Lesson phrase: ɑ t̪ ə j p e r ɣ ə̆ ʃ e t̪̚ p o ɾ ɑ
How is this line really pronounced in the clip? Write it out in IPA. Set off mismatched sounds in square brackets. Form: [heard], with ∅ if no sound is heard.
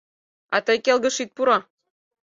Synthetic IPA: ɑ t̪ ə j [k] e [l] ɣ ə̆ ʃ [i] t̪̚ p [u] ɾ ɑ